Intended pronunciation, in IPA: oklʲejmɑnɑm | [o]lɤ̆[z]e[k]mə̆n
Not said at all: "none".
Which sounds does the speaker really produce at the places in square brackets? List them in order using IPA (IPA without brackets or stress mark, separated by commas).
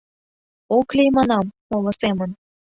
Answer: o, s, none